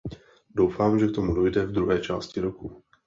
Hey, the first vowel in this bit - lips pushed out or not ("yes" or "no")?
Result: yes